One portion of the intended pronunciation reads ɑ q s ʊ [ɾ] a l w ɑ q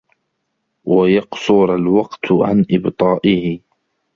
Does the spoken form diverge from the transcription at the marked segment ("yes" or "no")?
no